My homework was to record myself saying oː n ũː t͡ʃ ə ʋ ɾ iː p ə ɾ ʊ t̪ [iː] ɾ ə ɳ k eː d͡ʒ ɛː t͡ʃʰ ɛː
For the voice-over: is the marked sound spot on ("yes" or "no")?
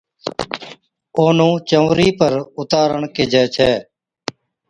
no